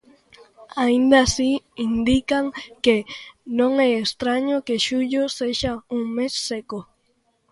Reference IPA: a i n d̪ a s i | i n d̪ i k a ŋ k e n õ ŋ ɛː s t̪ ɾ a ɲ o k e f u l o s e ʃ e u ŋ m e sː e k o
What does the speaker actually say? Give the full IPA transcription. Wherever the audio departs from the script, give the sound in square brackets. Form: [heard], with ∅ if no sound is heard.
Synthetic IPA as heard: a i n d̪ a s i | i n d̪ i k a ŋ k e n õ ŋ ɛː s t̪ ɾ a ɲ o k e [ʃ] u [ʎ] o s e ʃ [a] u ŋ m e sː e k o